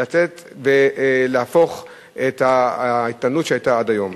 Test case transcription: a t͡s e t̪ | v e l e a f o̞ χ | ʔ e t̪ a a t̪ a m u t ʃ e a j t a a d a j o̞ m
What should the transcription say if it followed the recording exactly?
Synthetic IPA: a t͡s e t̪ | v e l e a f o̞ χ | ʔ e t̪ a i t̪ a n u t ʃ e a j t a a d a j o̞ m